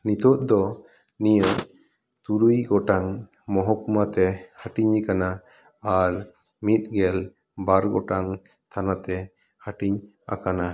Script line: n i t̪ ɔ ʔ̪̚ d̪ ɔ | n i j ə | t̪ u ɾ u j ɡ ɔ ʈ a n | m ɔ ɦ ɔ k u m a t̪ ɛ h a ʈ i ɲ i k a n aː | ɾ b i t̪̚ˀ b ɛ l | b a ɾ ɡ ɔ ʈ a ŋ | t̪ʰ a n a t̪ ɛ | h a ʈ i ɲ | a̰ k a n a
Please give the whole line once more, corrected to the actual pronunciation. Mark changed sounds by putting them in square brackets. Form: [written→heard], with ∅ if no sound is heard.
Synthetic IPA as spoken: n i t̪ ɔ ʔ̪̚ d̪ ɔ | n i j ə | t̪ u ɾ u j ɡ ɔ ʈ a [n→ŋ] | m ɔ ɦ ɔ k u m a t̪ ɛ h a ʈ i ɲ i k a n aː | ɾ [b→m] i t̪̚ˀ [b→ɡ] ɛ l | b a ɾ ɡ ɔ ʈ a ŋ | t̪ʰ a n a t̪ ɛ | h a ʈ i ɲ | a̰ k a n a